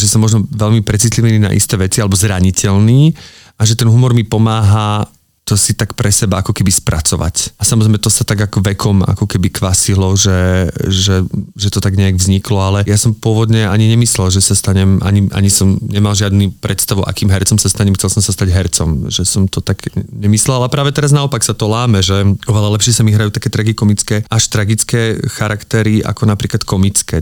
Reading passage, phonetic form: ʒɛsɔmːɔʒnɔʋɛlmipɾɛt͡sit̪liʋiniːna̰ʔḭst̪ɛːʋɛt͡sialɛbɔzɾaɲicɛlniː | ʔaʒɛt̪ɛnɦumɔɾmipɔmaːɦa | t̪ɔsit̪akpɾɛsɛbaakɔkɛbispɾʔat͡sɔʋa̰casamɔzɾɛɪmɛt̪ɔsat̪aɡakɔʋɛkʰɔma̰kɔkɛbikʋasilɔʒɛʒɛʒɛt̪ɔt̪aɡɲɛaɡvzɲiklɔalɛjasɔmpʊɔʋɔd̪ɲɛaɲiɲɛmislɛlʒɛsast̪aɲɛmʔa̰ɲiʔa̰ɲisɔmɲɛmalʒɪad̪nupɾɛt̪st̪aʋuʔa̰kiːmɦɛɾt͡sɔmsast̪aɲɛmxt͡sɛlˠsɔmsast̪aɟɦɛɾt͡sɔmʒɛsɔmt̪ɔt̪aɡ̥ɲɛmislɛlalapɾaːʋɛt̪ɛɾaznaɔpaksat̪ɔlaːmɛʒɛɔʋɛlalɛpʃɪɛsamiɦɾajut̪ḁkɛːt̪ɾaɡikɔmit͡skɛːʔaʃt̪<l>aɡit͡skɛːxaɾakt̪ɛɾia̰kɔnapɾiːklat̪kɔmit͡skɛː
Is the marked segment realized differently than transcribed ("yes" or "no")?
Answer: yes